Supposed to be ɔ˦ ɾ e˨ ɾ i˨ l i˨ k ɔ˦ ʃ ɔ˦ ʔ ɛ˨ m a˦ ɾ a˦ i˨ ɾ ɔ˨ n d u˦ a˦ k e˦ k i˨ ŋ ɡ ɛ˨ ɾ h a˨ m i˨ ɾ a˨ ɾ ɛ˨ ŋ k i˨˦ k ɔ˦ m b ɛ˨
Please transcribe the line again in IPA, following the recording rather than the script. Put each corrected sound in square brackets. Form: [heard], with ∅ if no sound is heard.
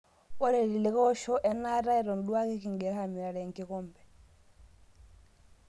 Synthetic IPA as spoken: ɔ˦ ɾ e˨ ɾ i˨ l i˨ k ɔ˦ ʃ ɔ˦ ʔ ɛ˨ [n] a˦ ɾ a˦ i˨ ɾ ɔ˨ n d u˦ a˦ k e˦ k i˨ ŋ ɡ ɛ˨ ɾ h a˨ m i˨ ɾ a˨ ɾ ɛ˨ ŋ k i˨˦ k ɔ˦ m b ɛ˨